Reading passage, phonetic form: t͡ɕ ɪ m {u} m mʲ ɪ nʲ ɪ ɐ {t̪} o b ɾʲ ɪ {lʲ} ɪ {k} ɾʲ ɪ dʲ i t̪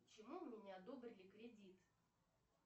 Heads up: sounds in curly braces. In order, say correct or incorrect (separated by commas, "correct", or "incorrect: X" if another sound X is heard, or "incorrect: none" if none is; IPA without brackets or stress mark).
correct, incorrect: d̪, correct, correct